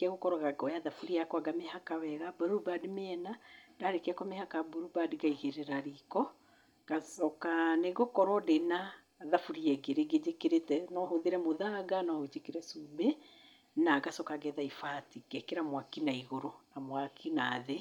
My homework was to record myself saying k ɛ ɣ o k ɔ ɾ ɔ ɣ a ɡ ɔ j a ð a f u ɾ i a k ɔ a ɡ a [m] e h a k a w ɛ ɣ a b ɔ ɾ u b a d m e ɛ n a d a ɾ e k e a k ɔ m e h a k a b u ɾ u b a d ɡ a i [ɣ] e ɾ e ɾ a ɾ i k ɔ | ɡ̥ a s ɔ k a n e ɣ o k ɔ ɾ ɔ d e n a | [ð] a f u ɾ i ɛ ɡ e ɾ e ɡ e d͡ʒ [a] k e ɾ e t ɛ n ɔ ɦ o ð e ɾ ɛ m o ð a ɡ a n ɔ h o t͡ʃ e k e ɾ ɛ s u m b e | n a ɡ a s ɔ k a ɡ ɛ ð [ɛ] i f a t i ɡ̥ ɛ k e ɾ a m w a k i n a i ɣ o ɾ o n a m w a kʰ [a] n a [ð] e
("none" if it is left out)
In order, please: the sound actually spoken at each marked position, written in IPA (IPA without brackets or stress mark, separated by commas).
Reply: m, ɣ, ð, e, a, i, ð